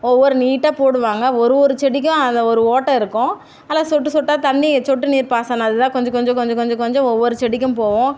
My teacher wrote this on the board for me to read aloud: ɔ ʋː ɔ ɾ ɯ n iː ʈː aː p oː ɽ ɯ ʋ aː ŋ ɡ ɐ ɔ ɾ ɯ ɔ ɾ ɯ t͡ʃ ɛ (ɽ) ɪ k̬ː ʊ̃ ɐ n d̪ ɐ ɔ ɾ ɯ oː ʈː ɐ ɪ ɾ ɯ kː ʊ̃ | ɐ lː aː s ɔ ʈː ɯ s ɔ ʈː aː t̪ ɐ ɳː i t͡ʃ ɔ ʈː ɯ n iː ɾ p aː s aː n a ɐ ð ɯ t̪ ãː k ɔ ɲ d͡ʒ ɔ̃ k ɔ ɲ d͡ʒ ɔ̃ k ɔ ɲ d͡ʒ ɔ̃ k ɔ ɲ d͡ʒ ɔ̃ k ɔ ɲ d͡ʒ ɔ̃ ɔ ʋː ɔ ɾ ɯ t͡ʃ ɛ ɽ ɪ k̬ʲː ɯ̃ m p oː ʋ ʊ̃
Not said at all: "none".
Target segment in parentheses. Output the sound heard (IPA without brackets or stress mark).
ɽ